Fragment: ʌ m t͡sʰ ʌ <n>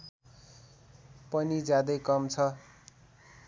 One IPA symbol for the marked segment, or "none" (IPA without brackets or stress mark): none